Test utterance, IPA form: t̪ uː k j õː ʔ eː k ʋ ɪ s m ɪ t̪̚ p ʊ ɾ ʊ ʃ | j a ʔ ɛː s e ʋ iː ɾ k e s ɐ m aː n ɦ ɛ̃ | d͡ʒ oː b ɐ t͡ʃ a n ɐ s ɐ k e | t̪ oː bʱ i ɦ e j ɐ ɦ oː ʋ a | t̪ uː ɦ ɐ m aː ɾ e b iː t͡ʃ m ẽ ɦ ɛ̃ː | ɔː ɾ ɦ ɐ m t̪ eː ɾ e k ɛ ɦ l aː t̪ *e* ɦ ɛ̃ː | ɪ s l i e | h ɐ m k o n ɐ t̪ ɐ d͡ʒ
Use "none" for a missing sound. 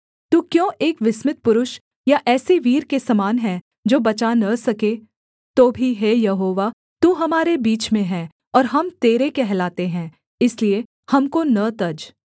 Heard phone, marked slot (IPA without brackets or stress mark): e